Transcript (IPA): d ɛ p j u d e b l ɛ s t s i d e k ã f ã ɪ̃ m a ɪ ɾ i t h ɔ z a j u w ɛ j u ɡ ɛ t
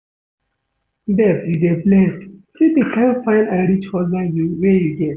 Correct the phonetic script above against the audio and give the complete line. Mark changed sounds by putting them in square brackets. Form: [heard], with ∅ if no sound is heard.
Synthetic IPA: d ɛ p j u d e b l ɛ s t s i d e k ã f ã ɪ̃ [n] a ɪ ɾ i [t͡ʃ] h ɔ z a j u w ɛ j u ɡ ɛ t